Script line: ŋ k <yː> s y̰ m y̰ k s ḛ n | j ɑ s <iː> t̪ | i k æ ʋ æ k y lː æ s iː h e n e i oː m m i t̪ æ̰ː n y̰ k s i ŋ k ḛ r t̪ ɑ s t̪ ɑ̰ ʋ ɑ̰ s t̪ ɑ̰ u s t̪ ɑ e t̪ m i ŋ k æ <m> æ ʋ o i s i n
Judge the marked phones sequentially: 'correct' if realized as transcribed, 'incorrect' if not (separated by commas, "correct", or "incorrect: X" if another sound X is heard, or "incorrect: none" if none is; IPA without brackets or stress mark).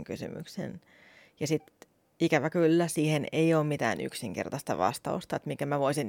incorrect: y, incorrect: i, correct